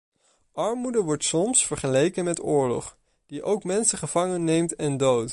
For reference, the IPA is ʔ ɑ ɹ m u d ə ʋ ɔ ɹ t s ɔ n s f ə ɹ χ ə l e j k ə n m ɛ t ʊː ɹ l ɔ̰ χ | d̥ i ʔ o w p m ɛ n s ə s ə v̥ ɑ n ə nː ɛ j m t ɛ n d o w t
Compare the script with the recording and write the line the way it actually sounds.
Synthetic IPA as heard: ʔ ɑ ɹ m u d ə ʋ ɔ ɹ t s ɔ m s f ə ɹ χ ə l e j k ə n m ɛ t ʊː ɹ l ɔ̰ χ | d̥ i ʔ o w k m ɛ n s ə χ ə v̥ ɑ ŋ ə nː e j m t ɛ n d o w t